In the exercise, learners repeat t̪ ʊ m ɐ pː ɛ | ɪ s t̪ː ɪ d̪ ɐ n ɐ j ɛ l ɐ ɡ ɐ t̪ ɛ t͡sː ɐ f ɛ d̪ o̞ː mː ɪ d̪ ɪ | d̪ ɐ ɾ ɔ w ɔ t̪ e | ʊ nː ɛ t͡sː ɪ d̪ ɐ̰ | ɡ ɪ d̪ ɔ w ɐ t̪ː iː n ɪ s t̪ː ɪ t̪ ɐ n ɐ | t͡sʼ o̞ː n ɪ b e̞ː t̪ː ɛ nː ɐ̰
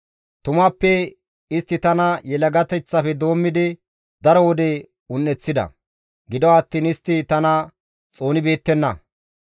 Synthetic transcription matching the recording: t̪ ʊ m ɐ pː ɛ | ɪ s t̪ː ɪ t̪ ɐ n ɐ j ɛ l ɐ ɡ ɐ t̪ ɛ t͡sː ɐ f ɛ d̪ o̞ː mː ɪ d̪ ɪ | d̪ ɐ ɾ ɔ w ɔ d̪ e | ʊ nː ɛ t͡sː ɪ d̪ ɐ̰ | ɡ ɪ d̪ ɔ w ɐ t̪ː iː n ɪ s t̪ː ɪ t̪ ɐ n ɐ | t͡sʼ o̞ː n ɪ b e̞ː t̪ː ɛ nː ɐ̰